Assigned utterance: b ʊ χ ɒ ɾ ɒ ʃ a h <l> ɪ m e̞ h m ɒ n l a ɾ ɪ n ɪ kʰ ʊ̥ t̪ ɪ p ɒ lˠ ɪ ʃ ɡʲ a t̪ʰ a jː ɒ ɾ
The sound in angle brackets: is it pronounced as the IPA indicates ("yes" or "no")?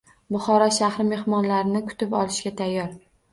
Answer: no